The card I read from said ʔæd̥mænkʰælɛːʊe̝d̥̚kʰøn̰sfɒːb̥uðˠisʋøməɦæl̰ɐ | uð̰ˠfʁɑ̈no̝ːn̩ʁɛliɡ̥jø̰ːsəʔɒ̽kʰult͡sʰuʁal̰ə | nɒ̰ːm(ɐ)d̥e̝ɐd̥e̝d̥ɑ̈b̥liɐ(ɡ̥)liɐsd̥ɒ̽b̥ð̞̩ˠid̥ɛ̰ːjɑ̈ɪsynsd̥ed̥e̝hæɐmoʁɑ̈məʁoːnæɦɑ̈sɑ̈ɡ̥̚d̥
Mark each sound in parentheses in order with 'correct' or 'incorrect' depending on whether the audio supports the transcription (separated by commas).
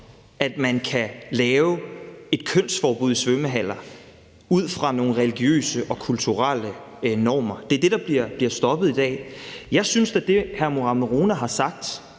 correct, incorrect